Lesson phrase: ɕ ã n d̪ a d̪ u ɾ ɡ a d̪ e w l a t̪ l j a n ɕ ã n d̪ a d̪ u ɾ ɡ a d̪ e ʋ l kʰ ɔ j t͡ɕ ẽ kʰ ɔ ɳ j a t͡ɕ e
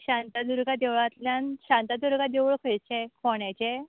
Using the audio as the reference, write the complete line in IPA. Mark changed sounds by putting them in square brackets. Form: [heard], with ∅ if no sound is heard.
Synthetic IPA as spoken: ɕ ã n [t̪] a d̪ u ɾ ɡ a d̪ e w [ɭ] a t̪ l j a n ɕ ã n [t̪] a d̪ u ɾ ɡ a d̪ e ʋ [ɭ] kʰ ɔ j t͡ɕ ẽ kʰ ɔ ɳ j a t͡ɕ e